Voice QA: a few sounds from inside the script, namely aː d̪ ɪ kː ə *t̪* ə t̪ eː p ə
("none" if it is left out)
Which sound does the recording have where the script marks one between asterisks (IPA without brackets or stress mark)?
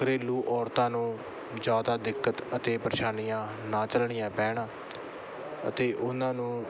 t̪